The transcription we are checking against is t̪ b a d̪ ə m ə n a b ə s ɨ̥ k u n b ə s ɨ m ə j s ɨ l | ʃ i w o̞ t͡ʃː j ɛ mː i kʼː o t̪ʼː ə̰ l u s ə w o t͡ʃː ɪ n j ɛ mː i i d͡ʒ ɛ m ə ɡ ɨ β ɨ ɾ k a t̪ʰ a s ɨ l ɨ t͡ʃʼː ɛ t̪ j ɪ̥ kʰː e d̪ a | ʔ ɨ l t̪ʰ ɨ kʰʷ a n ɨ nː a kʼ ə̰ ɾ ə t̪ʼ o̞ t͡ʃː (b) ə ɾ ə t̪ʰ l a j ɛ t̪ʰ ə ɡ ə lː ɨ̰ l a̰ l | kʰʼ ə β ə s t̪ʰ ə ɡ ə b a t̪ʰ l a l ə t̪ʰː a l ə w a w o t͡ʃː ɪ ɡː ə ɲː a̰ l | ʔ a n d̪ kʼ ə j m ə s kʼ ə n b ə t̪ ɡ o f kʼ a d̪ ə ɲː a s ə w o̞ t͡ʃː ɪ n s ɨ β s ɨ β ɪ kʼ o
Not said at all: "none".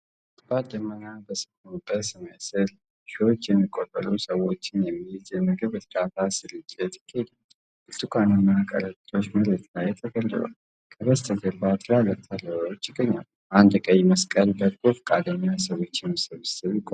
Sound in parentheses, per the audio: m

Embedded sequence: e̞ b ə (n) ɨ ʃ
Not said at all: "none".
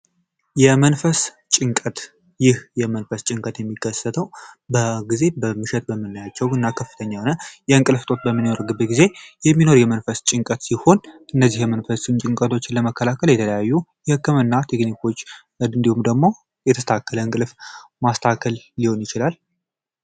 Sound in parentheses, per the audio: m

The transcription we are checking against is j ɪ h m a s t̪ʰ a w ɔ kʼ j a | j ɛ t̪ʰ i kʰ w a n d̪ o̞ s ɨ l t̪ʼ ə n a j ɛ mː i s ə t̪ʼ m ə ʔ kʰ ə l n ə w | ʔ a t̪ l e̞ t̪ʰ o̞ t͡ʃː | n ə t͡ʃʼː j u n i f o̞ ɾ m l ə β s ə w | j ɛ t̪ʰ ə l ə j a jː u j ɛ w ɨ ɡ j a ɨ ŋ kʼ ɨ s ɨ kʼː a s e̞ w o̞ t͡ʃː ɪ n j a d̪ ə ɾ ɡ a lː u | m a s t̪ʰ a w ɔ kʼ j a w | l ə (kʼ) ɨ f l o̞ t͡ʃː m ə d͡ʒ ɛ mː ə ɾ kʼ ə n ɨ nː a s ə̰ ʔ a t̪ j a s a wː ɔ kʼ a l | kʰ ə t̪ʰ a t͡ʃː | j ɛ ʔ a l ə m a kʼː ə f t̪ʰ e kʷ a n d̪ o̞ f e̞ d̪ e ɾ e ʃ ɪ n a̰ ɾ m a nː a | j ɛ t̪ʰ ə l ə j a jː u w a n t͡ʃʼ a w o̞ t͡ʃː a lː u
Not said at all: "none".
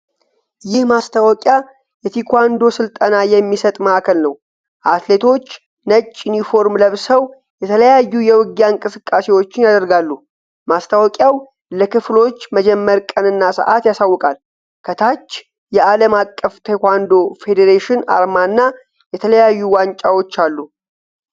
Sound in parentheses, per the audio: k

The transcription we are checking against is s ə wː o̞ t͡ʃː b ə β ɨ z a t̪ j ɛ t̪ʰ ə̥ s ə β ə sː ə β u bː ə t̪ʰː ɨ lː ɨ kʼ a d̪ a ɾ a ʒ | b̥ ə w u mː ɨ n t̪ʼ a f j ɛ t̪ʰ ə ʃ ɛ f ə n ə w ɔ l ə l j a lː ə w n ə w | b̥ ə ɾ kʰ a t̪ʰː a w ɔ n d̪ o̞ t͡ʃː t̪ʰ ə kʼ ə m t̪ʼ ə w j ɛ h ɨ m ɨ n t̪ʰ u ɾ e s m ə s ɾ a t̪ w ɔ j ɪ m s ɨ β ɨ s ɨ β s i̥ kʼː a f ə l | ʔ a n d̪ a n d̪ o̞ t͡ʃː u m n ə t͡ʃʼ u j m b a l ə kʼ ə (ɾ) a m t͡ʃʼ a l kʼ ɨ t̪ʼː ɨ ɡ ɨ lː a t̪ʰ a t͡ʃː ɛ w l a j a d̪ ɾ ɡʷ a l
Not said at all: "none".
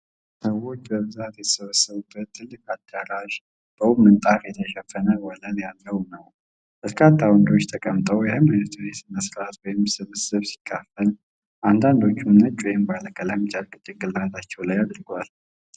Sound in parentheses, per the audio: l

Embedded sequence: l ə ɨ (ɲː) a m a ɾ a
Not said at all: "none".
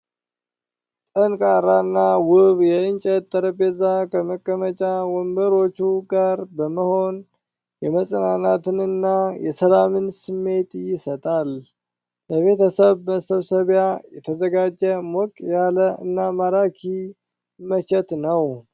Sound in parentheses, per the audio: nː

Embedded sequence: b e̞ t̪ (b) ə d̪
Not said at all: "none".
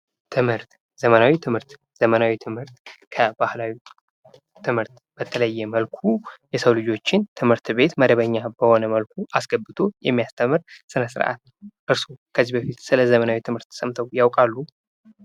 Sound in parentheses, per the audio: m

